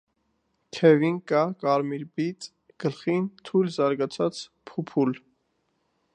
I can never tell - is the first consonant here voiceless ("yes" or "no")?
yes